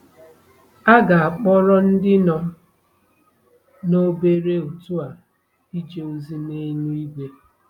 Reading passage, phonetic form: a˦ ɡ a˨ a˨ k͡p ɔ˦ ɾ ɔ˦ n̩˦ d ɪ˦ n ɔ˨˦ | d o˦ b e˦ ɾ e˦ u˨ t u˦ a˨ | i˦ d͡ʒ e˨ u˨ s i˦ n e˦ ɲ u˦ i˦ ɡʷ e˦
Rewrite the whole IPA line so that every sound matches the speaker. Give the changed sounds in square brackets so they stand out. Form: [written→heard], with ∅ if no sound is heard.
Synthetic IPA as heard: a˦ ɡ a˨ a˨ k͡p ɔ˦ ɾ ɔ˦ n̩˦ d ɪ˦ n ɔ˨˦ | [d→n] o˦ b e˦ ɾ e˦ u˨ t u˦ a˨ | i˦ d͡ʒ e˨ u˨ [s→z] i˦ n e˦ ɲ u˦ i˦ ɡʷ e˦